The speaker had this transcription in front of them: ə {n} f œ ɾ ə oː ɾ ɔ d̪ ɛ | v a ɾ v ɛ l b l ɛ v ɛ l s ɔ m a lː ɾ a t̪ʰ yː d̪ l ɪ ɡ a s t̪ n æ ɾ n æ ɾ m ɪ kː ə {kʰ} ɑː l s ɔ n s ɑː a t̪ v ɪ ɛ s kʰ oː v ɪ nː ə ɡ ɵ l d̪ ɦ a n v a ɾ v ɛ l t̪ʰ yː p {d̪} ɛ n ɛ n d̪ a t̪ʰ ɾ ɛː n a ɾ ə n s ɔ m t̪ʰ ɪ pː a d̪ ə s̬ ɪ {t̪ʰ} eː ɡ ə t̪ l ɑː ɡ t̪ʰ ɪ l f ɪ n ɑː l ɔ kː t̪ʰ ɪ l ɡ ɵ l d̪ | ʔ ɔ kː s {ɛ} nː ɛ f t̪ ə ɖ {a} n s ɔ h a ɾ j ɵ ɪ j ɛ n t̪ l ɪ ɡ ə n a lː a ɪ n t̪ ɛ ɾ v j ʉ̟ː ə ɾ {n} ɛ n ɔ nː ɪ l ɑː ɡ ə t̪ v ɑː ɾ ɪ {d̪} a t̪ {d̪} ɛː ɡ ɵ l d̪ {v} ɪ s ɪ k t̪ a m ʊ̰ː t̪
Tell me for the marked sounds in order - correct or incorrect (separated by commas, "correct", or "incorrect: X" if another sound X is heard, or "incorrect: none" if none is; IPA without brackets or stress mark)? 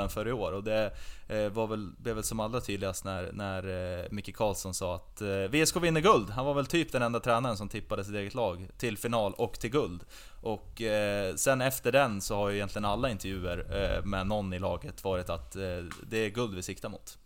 correct, correct, correct, incorrect: t̪, correct, incorrect: ɛ, incorrect: m, incorrect: t̪, correct, correct